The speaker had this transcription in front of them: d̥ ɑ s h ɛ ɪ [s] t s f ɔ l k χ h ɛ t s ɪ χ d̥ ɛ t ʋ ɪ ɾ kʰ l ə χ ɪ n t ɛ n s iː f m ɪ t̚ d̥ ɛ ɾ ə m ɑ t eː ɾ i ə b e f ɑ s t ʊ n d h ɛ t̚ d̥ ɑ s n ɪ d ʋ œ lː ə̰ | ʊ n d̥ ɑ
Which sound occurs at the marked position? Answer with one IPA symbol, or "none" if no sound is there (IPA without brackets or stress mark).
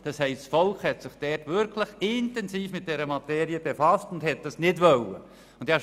s